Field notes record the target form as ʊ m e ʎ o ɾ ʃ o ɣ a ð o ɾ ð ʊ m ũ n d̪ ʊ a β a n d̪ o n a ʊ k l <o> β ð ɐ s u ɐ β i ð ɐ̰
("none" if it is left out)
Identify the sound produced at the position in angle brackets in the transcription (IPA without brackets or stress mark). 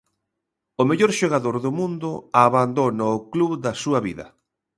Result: u